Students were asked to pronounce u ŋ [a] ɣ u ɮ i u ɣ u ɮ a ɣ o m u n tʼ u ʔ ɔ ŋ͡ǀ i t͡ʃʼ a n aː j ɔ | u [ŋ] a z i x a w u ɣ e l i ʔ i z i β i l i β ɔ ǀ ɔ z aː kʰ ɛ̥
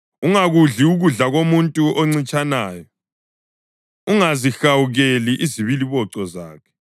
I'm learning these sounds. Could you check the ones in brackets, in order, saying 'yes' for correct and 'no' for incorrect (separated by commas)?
yes, yes